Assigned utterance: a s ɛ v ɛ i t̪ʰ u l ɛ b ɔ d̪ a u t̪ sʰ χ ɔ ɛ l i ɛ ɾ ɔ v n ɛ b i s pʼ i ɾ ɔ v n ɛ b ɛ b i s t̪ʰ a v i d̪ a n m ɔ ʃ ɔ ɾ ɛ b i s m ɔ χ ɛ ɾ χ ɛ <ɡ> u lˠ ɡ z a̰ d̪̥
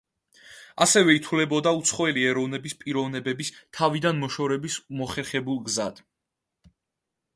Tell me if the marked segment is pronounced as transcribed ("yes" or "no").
no